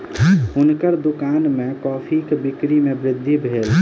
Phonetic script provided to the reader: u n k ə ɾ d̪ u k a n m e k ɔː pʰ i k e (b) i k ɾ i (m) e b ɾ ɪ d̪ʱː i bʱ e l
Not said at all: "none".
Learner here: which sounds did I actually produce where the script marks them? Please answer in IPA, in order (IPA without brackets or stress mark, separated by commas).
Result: b, m